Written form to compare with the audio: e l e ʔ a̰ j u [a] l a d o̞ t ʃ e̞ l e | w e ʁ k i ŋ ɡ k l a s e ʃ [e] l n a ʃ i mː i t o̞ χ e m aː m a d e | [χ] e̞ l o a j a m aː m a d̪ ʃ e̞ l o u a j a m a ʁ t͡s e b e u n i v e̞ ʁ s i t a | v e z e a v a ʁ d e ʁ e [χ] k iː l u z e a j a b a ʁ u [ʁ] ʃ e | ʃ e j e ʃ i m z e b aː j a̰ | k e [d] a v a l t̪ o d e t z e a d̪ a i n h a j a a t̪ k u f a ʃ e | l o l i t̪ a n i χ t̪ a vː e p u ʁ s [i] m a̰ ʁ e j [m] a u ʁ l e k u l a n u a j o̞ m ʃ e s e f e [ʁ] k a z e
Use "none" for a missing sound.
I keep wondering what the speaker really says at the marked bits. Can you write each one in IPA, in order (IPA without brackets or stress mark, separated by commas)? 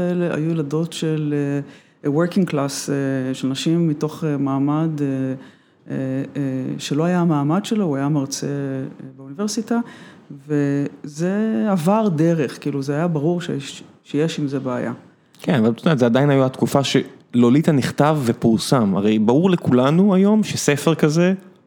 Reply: e, e, ʃ, χ, ʁ, n, a, b, ʁ